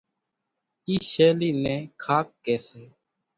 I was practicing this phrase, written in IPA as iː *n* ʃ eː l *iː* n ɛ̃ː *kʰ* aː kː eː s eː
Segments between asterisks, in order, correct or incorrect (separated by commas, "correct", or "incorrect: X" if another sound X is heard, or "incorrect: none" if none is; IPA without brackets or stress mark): incorrect: none, correct, correct